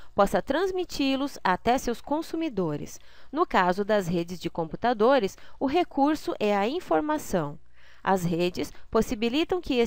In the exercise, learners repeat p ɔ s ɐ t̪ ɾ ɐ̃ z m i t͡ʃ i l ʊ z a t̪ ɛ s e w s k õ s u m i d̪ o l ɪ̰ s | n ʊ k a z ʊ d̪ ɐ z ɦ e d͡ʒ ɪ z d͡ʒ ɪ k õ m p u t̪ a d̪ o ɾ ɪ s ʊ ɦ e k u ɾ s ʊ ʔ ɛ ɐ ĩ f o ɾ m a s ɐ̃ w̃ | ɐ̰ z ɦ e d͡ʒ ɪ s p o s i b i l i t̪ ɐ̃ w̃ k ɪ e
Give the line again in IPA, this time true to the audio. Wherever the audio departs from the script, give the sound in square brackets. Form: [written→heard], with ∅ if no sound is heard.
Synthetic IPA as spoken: p ɔ s ɐ t̪ ɾ ɐ̃ z m i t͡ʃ i l ʊ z a t̪ ɛ s e w s k õ s u m i d̪ o [l→ɾ] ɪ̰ s | n ʊ k a z ʊ d̪ ɐ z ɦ e d͡ʒ ɪ z d͡ʒ ɪ k õ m p u t̪ a d̪ o ɾ ɪ s ʊ ɦ e k u ɾ s ʊ ʔ ɛ ɐ ĩ f o ɾ m a s ɐ̃ w̃ | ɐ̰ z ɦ e d͡ʒ ɪ s p o s i b i l i t̪ ɐ̃ w̃ k ɪ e